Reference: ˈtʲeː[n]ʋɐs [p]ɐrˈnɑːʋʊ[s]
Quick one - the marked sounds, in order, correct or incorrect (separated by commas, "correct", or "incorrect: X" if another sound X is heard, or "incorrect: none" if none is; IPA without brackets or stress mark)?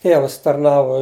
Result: incorrect: none, incorrect: t, incorrect: none